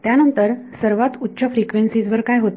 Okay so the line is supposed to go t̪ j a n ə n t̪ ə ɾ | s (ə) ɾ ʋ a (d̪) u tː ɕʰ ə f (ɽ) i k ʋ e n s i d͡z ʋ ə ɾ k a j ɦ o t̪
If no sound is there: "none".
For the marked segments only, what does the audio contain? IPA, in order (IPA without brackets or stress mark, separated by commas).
ə, t̪, ɾ